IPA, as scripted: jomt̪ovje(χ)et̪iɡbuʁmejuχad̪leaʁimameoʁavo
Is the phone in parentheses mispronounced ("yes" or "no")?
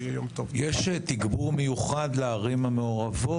yes